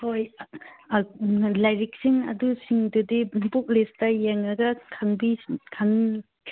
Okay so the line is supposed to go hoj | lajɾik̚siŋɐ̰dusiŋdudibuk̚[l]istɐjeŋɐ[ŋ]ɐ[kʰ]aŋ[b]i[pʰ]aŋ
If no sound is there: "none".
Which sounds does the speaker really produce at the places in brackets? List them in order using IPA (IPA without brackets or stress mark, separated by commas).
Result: l, ɡ, kʰ, b, kʰ